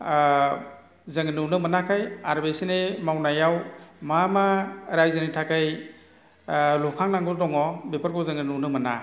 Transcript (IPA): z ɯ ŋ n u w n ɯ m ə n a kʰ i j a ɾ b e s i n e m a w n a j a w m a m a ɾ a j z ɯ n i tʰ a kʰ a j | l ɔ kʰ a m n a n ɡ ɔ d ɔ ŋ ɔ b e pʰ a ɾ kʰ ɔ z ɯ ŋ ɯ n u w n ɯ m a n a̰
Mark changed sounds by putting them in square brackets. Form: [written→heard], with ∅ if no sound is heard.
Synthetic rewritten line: z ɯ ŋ n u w n ɯ m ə n a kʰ [i→a] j a ɾ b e s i n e m a w n a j a w m a m a ɾ a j z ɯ n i tʰ a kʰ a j | l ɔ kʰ a [m→ŋ] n a [n→ŋ] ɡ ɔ d ɔ ŋ ɔ b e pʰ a ɾ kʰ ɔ z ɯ ŋ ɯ n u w n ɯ m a n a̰